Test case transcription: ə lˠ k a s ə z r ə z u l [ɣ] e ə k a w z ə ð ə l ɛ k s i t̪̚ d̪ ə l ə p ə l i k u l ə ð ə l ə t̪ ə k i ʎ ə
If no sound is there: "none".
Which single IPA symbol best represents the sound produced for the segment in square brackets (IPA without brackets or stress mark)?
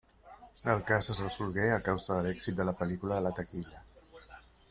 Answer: ɣ